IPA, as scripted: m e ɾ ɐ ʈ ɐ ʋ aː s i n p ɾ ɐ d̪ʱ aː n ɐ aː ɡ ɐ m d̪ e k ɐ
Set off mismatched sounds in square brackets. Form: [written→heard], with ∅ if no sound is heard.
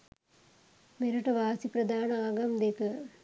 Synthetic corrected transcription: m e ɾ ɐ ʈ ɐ ʋ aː s i [n→∅] p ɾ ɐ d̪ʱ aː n ɐ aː ɡ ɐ m d̪ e k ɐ